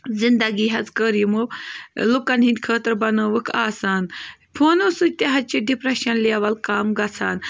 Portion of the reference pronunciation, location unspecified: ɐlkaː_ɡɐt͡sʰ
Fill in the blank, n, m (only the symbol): m